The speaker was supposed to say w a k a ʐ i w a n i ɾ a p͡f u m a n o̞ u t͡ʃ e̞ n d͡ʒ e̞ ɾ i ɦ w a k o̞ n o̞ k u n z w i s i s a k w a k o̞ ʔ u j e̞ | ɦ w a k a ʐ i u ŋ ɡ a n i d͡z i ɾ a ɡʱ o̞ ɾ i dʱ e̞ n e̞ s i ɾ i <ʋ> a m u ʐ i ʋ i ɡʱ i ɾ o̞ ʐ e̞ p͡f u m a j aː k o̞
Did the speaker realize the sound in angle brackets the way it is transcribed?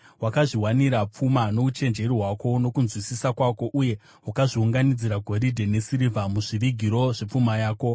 no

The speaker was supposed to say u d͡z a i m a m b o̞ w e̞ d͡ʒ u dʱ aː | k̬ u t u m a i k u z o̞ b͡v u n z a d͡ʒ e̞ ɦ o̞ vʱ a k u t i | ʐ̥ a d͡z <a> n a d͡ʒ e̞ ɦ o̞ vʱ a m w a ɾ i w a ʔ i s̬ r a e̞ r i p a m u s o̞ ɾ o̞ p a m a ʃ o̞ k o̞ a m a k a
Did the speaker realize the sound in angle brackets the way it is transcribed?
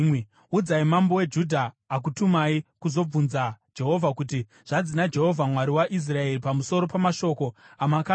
no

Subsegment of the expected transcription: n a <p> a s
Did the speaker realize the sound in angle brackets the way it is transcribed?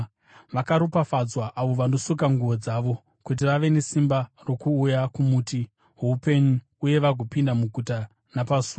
yes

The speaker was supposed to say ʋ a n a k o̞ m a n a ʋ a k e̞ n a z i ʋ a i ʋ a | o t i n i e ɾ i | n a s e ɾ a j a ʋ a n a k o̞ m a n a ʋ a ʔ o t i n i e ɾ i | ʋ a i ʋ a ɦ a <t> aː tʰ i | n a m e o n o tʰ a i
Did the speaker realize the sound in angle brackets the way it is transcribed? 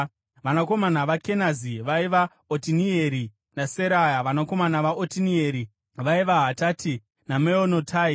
yes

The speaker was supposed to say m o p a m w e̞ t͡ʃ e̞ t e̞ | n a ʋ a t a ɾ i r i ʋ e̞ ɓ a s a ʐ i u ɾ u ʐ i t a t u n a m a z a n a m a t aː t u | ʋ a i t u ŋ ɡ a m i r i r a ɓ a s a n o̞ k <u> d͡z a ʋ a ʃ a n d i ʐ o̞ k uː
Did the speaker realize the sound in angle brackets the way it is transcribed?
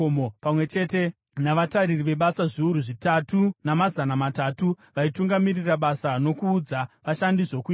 no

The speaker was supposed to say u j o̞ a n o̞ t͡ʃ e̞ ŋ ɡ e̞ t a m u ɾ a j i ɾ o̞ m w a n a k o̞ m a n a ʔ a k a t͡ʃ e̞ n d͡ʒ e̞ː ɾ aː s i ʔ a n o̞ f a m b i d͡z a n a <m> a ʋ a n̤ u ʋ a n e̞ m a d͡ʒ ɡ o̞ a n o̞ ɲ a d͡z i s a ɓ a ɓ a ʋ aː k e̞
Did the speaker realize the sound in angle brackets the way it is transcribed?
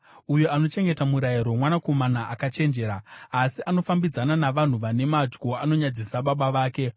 no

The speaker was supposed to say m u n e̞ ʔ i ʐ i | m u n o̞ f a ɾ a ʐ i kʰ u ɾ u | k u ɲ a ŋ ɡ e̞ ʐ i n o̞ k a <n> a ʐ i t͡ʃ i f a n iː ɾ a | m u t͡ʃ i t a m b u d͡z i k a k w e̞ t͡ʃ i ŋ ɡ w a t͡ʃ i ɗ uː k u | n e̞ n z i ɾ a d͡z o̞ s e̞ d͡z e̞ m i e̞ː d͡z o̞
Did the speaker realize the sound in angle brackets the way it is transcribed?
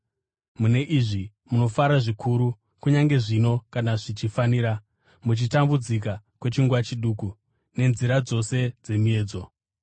yes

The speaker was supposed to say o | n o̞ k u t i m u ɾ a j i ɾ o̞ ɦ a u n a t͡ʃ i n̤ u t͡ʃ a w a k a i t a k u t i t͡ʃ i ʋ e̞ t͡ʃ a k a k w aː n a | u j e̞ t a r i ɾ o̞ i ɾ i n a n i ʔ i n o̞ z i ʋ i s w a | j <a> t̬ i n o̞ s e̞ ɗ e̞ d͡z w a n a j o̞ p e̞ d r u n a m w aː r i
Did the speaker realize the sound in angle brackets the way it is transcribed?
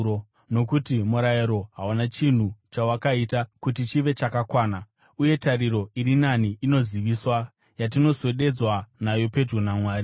yes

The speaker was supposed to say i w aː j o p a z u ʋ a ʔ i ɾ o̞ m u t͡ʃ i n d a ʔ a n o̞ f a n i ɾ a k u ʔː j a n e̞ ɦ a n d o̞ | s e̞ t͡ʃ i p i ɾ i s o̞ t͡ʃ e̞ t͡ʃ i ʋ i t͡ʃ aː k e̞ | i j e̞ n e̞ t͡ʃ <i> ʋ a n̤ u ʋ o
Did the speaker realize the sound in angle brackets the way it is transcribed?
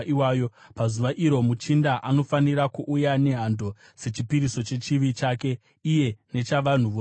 no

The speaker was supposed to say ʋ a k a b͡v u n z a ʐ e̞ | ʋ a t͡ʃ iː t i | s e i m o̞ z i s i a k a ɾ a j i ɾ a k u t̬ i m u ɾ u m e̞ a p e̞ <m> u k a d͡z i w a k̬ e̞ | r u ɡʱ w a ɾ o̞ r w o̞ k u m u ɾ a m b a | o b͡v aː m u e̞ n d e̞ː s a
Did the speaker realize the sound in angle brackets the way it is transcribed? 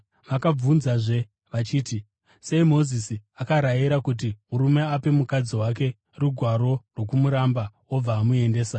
yes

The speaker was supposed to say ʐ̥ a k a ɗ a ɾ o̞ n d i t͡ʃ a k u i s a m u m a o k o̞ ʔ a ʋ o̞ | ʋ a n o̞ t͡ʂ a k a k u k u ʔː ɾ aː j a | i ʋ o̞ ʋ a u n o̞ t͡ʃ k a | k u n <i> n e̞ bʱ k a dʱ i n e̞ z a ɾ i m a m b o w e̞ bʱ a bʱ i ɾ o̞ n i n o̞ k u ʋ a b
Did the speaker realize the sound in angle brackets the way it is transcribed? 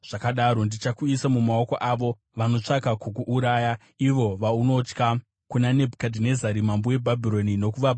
no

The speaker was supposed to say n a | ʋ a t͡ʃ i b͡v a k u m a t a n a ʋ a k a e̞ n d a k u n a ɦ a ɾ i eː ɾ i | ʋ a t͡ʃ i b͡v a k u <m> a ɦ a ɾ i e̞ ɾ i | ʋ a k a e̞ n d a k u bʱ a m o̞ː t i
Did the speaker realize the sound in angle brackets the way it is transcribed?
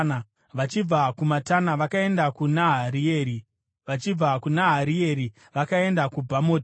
no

